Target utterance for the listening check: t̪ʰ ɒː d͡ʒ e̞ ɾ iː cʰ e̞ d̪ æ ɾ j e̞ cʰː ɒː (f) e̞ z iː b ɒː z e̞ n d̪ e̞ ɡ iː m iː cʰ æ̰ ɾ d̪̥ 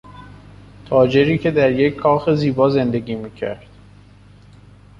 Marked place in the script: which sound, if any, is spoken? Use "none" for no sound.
x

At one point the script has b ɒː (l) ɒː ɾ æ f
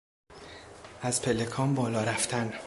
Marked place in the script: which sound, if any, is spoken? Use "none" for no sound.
l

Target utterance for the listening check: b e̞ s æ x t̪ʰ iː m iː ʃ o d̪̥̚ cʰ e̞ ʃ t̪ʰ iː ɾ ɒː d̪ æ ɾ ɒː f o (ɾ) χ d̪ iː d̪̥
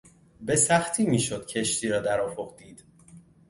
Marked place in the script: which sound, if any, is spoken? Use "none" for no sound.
none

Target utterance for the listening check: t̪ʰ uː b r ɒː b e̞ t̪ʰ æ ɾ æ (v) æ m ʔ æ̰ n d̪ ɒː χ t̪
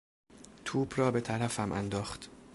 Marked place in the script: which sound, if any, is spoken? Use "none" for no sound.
f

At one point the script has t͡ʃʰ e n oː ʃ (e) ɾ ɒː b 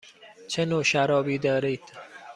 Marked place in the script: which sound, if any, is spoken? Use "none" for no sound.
æ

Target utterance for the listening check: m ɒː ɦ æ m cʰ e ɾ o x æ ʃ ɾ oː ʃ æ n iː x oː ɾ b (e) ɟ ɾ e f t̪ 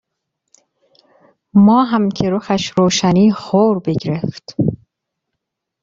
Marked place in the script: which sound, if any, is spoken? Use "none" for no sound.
e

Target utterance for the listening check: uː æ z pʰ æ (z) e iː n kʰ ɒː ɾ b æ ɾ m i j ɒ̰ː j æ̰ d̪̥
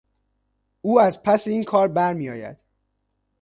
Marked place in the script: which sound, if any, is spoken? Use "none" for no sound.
s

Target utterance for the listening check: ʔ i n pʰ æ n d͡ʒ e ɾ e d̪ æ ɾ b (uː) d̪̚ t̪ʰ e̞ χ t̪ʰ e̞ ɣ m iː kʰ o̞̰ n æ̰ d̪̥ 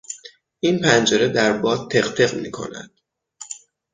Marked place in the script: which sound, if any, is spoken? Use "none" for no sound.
ɒː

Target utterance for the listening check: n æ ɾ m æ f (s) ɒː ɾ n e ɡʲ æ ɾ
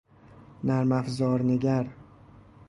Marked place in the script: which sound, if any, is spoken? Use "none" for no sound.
z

